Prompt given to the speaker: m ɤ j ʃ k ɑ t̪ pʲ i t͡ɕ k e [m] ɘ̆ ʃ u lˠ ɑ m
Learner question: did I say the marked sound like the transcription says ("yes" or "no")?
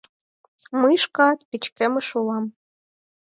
yes